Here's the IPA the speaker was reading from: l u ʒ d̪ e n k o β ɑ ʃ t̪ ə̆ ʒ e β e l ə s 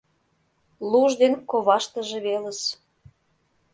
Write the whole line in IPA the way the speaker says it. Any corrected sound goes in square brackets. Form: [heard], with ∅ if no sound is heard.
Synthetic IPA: l u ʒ d̪ e n k o β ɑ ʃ t̪ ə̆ ʒ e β e l ə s